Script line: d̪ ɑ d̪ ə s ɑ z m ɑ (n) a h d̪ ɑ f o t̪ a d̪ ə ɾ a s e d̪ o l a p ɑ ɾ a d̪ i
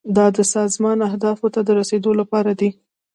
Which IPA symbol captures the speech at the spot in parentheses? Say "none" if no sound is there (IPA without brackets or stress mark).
n